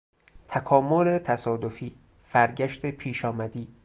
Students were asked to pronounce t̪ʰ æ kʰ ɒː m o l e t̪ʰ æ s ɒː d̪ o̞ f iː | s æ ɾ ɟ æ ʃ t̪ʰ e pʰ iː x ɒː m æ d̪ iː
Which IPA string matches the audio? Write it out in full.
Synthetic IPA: t̪ʰ æ kʰ ɒː m o l e t̪ʰ æ s ɒː d̪ o̞ f iː | f æ ɾ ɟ æ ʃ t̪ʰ e pʰ iː ʃ ɒː m æ d̪ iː